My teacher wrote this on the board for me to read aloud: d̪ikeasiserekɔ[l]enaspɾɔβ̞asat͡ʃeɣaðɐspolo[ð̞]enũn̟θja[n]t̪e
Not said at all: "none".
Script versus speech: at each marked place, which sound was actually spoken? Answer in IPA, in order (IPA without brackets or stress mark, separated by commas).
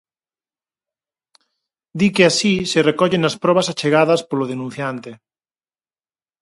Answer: ʎ, ð̞, n